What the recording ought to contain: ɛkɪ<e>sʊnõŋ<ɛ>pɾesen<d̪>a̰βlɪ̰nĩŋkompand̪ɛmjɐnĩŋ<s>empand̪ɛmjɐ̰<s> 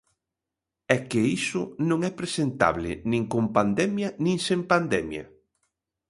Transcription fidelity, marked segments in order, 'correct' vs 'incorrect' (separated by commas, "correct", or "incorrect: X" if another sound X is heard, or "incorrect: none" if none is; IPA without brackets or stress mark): incorrect: i, correct, incorrect: t̪, correct, incorrect: none